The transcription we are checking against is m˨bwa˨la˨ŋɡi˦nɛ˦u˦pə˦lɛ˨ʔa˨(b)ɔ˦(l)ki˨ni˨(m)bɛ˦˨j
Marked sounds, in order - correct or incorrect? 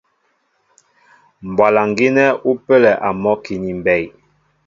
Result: incorrect: m, incorrect: none, correct

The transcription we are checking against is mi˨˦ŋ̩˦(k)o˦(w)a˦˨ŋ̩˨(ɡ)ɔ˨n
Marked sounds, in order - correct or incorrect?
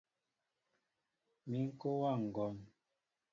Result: correct, correct, correct

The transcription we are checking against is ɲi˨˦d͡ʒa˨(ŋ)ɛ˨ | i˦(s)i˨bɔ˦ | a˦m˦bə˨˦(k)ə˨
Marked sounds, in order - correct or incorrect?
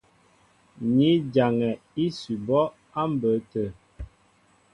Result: correct, correct, incorrect: t

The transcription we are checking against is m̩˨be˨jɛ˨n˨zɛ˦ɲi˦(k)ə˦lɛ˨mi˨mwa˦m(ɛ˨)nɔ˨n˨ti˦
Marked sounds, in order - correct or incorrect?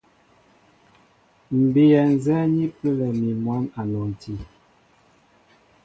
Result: incorrect: p, incorrect: a˨

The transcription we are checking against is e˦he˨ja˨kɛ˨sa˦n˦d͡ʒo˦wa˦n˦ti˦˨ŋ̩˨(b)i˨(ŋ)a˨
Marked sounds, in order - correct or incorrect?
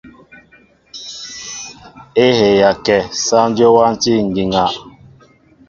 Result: incorrect: ɡ, correct

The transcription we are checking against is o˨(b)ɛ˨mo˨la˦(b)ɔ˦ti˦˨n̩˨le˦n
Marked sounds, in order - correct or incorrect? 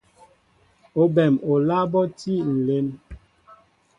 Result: correct, correct

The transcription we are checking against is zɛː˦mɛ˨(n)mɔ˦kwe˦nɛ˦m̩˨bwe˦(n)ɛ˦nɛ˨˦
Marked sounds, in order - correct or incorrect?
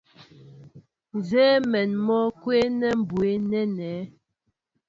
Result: correct, correct

